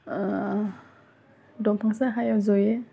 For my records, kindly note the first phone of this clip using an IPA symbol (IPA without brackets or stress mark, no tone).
d